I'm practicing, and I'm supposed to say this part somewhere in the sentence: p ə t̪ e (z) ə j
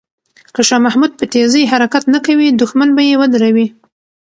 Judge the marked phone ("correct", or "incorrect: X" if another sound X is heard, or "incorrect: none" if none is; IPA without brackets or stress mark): correct